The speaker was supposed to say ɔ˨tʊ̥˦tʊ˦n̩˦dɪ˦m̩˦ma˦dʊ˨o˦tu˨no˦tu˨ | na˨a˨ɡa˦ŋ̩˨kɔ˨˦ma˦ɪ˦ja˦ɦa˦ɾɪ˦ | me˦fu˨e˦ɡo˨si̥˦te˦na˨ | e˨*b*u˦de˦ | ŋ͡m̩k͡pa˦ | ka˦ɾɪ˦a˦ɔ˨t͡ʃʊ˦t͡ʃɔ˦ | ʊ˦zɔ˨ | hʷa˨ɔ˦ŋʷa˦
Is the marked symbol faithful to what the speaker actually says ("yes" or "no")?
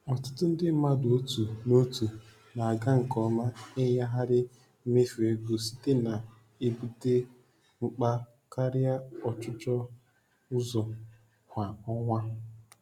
yes